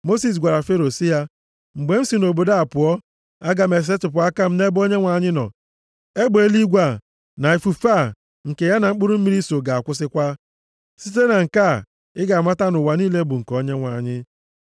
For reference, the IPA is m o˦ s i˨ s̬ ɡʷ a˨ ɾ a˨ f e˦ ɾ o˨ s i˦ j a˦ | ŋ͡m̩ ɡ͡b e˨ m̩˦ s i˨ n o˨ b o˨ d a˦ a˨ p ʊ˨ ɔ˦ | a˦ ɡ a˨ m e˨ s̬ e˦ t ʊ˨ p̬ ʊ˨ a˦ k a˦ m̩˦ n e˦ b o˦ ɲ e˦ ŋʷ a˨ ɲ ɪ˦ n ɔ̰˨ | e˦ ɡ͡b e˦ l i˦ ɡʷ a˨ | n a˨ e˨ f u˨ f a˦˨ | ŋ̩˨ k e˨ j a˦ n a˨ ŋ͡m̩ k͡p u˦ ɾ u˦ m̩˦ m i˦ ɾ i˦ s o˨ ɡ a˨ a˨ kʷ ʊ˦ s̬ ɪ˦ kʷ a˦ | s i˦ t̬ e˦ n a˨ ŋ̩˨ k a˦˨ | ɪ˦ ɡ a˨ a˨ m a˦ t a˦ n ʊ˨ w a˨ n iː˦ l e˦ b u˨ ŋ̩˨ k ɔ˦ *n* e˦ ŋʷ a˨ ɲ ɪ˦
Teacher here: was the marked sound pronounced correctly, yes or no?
no